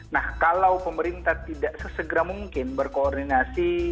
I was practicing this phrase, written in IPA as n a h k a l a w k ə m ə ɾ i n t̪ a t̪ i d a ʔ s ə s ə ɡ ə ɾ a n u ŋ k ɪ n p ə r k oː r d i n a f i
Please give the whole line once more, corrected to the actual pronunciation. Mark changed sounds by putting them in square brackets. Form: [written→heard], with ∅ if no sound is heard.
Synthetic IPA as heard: n a h k a l a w [k→p] ə m ə ɾ i n t̪ a t̪ i d a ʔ s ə s ə ɡ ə ɾ a [n→m] u ŋ k ɪ n [p→b] ə r k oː r d i n a [f→s] i